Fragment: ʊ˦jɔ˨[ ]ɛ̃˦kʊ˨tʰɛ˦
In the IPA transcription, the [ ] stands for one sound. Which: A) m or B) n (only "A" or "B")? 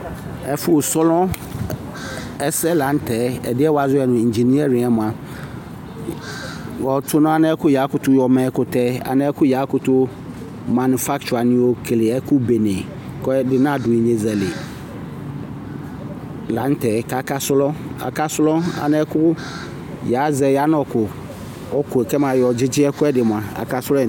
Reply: A